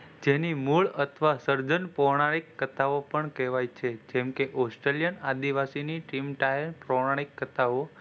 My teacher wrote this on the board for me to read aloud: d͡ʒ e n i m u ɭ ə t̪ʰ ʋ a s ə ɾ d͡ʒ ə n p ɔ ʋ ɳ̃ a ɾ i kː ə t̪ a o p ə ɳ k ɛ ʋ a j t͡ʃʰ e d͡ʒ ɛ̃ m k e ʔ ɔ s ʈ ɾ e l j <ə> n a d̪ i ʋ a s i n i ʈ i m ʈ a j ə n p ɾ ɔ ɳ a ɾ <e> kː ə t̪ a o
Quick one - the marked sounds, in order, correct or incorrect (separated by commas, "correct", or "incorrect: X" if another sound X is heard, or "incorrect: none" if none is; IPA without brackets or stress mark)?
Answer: correct, incorrect: i